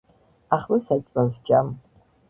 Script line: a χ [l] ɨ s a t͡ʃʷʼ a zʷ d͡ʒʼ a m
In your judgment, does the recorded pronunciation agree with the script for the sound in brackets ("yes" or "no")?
yes